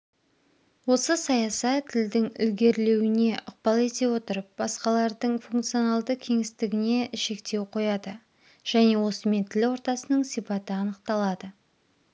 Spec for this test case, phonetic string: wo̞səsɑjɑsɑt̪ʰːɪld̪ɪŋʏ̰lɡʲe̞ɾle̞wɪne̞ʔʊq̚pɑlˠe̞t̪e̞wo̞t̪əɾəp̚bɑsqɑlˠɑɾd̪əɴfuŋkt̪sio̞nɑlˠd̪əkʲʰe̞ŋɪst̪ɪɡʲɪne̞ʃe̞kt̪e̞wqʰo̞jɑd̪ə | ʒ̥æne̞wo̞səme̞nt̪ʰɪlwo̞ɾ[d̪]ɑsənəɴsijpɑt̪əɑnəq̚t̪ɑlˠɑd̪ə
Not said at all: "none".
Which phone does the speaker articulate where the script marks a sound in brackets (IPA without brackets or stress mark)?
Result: t̪